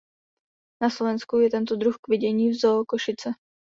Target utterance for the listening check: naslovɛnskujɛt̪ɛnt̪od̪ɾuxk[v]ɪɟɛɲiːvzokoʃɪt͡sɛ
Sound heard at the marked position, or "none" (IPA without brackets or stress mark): v